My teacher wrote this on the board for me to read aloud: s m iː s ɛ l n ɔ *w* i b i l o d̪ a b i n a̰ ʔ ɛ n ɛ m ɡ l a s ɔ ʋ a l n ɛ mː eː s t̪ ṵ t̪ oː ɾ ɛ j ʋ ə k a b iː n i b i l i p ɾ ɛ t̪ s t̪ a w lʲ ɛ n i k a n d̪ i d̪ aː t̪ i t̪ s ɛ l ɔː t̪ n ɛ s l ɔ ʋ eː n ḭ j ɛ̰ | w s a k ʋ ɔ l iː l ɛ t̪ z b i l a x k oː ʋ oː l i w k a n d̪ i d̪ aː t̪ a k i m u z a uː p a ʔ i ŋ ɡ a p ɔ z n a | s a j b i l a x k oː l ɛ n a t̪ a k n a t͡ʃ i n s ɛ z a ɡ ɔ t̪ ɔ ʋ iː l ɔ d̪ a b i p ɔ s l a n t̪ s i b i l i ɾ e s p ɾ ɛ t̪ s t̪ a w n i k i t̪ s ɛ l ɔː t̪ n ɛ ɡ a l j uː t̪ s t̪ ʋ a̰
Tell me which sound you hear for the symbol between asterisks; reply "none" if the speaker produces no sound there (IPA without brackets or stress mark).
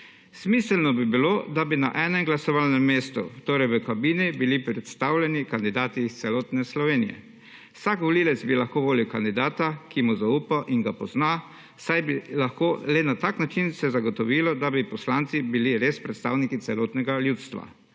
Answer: b